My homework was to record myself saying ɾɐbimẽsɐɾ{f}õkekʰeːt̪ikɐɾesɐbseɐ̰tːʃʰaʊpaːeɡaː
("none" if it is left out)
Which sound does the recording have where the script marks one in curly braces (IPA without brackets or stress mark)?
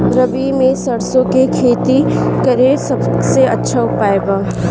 s